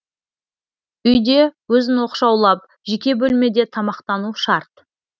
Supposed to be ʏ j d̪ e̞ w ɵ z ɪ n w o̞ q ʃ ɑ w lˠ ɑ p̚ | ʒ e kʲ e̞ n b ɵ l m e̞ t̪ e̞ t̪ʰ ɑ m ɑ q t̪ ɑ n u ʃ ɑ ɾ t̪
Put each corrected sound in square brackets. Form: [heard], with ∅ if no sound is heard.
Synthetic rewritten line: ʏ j d̪ e̞ w ɵ z ɪ n w o̞ q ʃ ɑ w lˠ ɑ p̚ | ʒ e kʲ e̞ [∅] b ɵ l m e̞ [d̪] e̞ t̪ʰ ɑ m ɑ q t̪ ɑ n u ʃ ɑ ɾ t̪

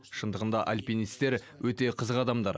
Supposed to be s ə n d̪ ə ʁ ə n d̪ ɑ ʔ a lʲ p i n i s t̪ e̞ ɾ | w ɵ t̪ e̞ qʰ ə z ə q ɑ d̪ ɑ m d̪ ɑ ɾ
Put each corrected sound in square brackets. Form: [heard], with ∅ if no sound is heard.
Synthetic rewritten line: [ʃ] ə n d̪ ə ʁ ə n d̪ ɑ ʔ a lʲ p i n i s t̪ e̞ ɾ | w ɵ t̪ e̞ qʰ ə z ə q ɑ d̪ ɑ m d̪ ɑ ɾ

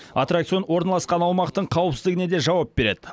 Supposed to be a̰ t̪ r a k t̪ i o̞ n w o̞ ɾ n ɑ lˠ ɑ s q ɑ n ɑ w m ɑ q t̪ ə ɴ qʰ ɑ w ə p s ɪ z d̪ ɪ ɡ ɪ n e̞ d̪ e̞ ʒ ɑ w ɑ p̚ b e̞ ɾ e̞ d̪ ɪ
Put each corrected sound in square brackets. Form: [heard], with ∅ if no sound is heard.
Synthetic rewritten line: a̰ t̪ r a k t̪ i o̞ n w o̞ ɾ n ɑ lˠ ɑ s q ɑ n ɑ w m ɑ q t̪ ə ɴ qʰ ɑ w ə p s ɪ z d̪ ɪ ɡ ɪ n e̞ d̪ e̞ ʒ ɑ w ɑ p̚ b e̞ ɾ e̞ d̪ ɪ

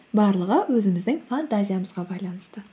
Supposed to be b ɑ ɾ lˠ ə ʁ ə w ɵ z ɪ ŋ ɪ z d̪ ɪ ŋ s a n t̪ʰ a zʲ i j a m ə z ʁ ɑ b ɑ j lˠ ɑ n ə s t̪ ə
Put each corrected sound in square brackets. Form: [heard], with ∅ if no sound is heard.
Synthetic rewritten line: b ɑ ɾ lˠ ə ʁ ə w ɵ z ɪ [m] ɪ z d̪ ɪ ŋ [f] a n [t̪] a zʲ i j a m ə z ʁ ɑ b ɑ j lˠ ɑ n ə s t̪ ə

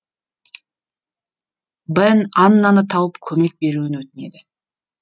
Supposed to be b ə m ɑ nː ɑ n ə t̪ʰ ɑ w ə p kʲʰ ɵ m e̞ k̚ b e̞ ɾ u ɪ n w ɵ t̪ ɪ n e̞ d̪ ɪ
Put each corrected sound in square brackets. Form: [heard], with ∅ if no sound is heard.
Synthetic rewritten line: b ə [n] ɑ nː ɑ n ə t̪ʰ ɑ w ə p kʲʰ ɵ m e̞ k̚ b e̞ ɾ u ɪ n w ɵ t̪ ɪ n e̞ d̪ ɪ

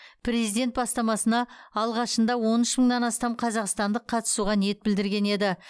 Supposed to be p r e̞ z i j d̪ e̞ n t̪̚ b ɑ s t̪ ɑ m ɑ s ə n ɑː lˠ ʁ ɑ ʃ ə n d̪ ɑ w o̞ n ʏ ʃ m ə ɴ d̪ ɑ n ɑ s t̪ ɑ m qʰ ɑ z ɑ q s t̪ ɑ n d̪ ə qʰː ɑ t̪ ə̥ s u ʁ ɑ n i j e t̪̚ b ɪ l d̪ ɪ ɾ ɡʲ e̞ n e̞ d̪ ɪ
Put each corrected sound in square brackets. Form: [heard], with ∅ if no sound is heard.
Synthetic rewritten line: p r e̞ z i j d̪ e̞ n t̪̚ b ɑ s t̪ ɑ m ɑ s ə n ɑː lˠ ʁ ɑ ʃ ə n d̪ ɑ w o̞ n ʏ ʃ m ə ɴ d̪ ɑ n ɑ s t̪ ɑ m qʰ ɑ z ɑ q s t̪ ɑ n d̪ ə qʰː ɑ t̪ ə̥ s u ʁ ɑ n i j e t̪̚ b ɪ l d̪ ɪ ɾ ɡʲ e̞ n e̞ d̪ ɪ

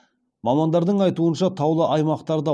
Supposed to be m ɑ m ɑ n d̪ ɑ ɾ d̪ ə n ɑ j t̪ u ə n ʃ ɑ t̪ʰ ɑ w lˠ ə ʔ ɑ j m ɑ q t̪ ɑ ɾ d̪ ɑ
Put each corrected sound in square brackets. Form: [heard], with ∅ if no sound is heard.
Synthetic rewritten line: m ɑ m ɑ n d̪ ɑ ɾ d̪ ə [ɴ] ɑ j t̪ u ə n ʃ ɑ t̪ʰ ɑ w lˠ ə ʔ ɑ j m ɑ q t̪ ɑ ɾ d̪ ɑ

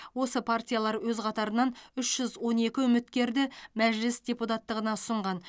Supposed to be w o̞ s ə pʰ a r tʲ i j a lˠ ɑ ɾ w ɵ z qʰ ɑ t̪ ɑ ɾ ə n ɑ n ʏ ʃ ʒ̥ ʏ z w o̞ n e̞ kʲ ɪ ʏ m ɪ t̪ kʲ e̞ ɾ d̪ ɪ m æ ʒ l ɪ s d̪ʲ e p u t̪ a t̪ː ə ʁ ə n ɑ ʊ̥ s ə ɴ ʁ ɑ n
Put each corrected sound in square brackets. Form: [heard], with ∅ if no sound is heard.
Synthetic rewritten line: w o̞ s ə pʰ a r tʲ i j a lˠ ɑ ɾ w ɵ z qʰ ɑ t̪ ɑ ɾ ə n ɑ n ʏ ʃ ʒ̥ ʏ z w o̞ n e̞ kʲ ɪ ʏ m ɪ t̪ kʲ e̞ ɾ d̪ ɪ m æ ʒ l ɪ s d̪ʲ e p u t̪ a t̪ː ə ʁ ə n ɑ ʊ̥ s ə ɴ ʁ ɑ n

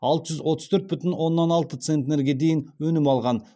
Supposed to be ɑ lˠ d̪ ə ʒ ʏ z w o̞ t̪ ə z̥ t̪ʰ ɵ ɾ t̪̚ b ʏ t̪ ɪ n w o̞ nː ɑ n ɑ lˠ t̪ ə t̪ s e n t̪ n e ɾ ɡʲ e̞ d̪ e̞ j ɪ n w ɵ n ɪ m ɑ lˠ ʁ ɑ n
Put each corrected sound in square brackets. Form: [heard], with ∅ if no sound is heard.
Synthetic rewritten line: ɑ lˠ [t̪] ə ʒ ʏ z w o̞ t̪ ə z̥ t̪ʰ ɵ ɾ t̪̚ b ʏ t̪ ɪ n w o̞ nː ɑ n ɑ lˠ t̪ ə t̪ s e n t̪ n e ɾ ɡʲ e̞ d̪ e̞ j ɪ n w ɵ n ɪ m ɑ lˠ ʁ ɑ n

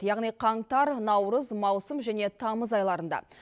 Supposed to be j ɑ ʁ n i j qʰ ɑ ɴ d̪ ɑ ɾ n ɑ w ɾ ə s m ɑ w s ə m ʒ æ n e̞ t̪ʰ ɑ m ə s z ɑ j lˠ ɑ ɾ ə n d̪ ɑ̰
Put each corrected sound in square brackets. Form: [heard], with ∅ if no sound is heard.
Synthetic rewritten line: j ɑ ʁ n i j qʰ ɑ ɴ [t̪] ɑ ɾ n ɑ w ɾ ə [z] m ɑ w s ə m ʒ æ n e̞ t̪ʰ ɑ m ə [∅] z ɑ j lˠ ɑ ɾ ə n d̪ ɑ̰

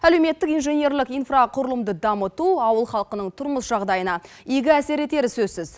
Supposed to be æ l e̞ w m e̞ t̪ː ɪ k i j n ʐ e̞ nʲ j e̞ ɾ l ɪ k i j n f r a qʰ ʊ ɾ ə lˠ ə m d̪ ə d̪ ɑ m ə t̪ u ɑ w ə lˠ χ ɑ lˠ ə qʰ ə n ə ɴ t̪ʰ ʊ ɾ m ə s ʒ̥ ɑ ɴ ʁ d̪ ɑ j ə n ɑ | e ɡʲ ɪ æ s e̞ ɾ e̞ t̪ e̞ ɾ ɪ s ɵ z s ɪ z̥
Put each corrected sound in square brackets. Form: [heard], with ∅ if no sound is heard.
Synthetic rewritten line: æ l e̞ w m e̞ t̪ː ɪ k i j n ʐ e̞ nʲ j e̞ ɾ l ɪ k i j n f r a qʰ ʊ ɾ ə lˠ ə m d̪ ə d̪ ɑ m ə t̪ u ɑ w ə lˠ χ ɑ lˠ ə [q] ə n ə ɴ t̪ʰ ʊ ɾ m ə s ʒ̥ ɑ [∅] ʁ d̪ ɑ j ə n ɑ | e ɡʲ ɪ æ s e̞ ɾ e̞ t̪ e̞ ɾ ɪ s ɵ z s ɪ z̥

